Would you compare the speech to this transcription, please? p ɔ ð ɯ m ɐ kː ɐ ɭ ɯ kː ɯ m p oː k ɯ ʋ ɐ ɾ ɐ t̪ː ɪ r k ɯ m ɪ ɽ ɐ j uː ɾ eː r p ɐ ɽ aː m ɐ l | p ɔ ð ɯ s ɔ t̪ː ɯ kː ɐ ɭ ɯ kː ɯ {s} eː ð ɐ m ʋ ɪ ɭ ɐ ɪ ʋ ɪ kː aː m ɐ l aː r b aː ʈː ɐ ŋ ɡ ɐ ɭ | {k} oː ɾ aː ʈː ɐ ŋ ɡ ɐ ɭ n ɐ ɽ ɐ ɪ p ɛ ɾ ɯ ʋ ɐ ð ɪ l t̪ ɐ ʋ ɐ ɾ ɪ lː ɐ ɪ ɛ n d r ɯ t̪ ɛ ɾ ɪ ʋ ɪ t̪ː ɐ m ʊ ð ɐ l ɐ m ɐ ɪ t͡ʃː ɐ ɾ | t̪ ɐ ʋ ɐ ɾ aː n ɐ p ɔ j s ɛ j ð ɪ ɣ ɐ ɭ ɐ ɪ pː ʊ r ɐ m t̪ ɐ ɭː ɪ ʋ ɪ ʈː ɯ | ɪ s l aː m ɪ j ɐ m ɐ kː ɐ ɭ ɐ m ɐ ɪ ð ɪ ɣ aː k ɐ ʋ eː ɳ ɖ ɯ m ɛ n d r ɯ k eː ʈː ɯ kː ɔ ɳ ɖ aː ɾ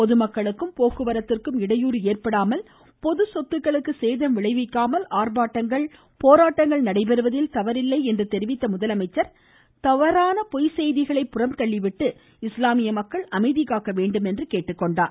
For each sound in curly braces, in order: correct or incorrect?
correct, incorrect: p

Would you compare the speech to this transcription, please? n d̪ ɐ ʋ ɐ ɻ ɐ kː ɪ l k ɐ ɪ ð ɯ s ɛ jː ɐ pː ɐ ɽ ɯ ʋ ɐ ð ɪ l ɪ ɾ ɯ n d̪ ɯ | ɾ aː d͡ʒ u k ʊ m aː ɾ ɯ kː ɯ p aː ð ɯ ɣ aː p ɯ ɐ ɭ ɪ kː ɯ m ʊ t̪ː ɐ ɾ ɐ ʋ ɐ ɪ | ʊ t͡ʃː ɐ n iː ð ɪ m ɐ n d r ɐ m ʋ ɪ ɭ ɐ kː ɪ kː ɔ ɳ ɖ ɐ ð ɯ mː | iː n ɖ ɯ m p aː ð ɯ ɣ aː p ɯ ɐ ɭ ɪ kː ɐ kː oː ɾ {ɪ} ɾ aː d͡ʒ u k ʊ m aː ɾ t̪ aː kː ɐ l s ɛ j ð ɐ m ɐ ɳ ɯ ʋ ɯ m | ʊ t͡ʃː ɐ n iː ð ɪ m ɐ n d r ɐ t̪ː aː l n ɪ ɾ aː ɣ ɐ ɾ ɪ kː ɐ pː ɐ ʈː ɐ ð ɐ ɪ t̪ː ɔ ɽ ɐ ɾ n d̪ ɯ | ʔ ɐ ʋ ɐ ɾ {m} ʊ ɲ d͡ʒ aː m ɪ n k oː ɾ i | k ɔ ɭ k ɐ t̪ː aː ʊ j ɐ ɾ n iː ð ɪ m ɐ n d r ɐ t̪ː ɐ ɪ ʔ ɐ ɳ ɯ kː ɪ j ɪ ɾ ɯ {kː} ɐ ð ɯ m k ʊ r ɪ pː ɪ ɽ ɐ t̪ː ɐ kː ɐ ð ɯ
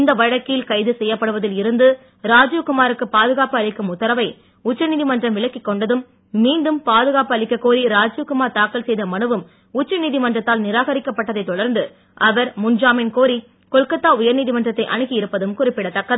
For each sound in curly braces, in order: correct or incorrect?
incorrect: i, correct, incorrect: pː

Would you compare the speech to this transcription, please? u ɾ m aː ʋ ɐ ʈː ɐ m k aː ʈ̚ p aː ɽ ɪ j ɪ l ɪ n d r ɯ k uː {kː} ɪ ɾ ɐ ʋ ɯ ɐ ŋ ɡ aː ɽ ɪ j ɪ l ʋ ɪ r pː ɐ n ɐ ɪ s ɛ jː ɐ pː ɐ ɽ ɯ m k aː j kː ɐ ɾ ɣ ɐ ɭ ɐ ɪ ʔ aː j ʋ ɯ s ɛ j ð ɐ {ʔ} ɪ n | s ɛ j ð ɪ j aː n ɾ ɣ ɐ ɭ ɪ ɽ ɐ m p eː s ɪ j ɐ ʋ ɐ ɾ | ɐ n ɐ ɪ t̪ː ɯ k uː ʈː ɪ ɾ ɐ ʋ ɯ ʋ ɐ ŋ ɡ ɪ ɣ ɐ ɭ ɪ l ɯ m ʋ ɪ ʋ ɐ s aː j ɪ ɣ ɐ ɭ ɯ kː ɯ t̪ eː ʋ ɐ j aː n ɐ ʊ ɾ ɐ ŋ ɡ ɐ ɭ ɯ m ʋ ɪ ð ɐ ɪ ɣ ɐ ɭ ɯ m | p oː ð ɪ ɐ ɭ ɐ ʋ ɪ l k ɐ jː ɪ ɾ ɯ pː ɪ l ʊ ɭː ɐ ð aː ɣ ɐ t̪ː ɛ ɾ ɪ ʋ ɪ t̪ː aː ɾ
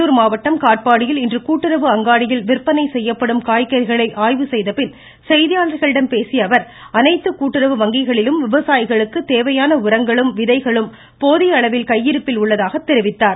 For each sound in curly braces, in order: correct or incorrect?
incorrect: ʈː, incorrect: p

